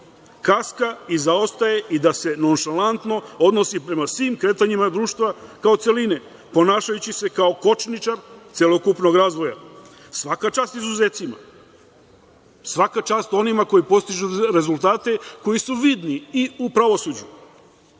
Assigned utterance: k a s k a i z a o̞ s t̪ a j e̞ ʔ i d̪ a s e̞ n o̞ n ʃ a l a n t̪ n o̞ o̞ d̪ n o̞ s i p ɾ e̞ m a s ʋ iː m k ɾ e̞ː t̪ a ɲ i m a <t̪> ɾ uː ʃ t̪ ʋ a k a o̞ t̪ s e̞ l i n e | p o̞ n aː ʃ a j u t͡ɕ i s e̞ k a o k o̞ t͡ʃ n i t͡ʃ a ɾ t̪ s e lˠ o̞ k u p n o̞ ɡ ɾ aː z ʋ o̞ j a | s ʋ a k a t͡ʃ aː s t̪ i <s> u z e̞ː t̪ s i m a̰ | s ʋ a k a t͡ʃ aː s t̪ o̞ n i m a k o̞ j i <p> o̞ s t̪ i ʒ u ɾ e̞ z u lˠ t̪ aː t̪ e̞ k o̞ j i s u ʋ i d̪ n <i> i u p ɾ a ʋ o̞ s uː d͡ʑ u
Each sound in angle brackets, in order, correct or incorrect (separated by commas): incorrect, incorrect, correct, correct